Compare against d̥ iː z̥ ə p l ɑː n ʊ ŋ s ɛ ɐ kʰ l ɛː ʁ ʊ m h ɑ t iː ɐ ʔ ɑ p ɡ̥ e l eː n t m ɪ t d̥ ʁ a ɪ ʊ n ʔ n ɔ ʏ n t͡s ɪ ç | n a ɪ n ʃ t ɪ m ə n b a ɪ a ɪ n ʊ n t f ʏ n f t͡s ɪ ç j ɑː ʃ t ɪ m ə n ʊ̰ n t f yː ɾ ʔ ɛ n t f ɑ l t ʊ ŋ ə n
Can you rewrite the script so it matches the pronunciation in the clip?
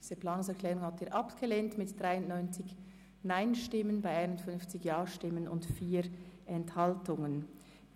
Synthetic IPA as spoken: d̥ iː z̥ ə p l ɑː n ʊ ŋ s ɛ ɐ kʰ l ɛː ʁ ʊ ŋ h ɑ t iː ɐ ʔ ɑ p ɡ̥ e l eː n t m ɪ t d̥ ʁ a ɪ ʊ n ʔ n ɔ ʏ n t͡s ɪ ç | n a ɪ n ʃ t ɪ m ə n b a ɪ a ɪ n ʊ n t f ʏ n f t͡s ɪ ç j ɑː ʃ t ɪ m ə n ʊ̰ n t f iː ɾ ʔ ɛ n t h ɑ l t ʊ ŋ ə n